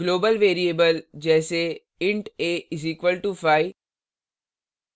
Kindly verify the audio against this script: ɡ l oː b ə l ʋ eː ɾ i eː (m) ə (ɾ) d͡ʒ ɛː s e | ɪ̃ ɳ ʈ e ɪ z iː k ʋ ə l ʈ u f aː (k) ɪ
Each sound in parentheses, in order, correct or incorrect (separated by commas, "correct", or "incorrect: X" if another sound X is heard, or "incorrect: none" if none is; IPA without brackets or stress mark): incorrect: b, incorrect: l, incorrect: none